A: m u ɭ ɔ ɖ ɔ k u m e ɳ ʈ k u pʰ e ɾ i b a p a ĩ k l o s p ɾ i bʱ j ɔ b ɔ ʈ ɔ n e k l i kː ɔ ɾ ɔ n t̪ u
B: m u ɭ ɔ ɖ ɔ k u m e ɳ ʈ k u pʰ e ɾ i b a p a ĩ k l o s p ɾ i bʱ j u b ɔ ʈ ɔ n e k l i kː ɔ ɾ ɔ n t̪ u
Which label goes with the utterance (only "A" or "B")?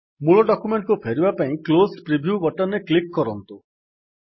B